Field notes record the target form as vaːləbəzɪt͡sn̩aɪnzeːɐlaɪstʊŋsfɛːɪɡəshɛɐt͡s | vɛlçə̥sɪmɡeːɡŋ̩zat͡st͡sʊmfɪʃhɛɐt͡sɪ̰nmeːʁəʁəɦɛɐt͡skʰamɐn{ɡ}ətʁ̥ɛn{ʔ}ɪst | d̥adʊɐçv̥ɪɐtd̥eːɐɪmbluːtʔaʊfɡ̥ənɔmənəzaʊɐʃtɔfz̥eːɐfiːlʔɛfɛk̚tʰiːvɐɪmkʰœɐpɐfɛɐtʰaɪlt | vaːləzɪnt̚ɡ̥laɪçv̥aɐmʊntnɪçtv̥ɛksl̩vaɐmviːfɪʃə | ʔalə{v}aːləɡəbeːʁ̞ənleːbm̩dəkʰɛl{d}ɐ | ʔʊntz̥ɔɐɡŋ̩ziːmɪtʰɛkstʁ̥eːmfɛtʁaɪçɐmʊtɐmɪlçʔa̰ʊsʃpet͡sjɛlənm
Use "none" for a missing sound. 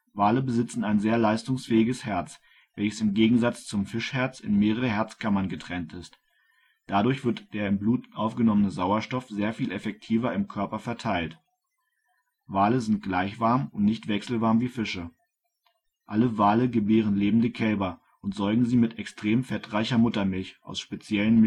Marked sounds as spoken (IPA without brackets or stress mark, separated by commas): ɡ, t, v, b